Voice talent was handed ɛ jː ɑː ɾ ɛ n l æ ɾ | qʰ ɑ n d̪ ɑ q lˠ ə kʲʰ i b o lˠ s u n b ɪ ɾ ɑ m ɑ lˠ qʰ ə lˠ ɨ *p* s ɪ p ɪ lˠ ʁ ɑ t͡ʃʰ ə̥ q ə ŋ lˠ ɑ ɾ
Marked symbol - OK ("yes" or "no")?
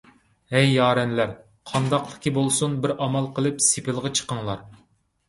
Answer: yes